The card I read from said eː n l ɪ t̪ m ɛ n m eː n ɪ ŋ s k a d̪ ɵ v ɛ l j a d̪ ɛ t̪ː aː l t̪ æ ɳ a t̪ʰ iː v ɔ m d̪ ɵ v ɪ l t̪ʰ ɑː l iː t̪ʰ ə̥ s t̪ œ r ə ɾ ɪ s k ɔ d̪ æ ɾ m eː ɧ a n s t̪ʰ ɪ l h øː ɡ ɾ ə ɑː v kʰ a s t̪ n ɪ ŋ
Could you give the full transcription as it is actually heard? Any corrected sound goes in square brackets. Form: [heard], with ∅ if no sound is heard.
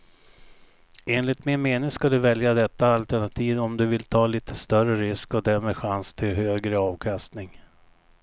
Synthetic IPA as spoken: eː n l ɪ t̪ m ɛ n m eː n ɪ ŋ s k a d̪ ɵ v ɛ l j a d̪ ɛ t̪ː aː l t̪ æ ɳ a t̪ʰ iː v ɔ m d̪ ɵ v ɪ l t̪ʰ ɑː l iː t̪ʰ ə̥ s t̪ œ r ə ɾ ɪ s k ɔ d̪ æ ɾ m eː ɧ a n s t̪ʰ ɪ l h øː ɡ ɾ ə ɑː v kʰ a s t̪ n ɪ ŋ